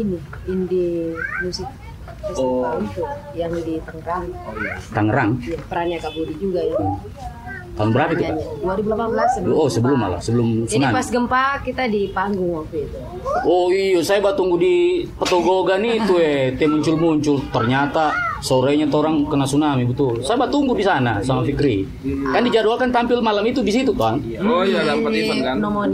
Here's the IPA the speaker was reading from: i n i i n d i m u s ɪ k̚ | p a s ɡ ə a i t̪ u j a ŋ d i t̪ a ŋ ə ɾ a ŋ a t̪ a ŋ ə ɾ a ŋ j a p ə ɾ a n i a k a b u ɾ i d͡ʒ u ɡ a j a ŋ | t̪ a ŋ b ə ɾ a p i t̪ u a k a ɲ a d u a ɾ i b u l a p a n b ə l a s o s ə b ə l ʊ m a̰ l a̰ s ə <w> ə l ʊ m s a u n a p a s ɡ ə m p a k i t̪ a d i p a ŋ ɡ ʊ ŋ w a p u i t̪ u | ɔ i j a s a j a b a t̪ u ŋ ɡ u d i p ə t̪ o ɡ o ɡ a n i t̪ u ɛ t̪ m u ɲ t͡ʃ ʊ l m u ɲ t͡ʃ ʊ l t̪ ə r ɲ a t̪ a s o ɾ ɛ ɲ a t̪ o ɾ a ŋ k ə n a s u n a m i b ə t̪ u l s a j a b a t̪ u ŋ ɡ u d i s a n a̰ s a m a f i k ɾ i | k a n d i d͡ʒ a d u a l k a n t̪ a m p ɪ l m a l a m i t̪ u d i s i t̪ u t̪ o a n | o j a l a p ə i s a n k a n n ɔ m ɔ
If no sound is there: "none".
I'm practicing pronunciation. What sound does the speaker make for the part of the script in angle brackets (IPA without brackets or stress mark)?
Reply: b